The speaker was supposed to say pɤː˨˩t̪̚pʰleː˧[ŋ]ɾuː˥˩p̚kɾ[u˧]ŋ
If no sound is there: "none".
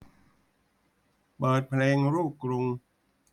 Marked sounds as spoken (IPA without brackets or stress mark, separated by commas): ŋ, u˧